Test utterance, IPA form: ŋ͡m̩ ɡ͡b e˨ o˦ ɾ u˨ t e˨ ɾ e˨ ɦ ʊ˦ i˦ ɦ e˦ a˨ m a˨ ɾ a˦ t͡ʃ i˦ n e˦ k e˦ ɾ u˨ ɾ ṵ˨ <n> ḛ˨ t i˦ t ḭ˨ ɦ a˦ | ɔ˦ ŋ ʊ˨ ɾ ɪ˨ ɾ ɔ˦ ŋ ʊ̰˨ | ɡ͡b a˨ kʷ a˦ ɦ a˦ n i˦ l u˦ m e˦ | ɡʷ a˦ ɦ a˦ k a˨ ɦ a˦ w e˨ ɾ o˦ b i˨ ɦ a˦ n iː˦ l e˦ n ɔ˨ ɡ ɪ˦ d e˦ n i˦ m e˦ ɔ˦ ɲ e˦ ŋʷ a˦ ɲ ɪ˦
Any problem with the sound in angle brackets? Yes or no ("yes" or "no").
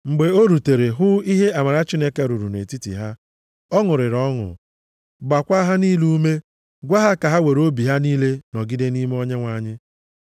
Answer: no